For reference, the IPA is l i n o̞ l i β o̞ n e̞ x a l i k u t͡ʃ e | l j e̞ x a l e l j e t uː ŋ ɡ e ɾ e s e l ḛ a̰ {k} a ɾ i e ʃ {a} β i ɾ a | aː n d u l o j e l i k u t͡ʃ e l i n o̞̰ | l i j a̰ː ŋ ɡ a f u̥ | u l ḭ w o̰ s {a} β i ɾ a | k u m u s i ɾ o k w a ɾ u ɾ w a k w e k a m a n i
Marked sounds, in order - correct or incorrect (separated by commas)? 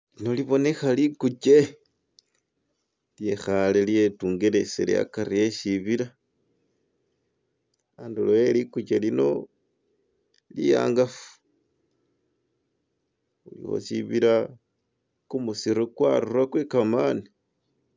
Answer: correct, incorrect, incorrect